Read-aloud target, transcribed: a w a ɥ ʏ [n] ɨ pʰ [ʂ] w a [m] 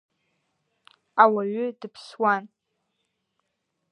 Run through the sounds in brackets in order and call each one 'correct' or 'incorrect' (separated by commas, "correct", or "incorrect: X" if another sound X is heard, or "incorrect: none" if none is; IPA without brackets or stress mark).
incorrect: d, incorrect: s, incorrect: n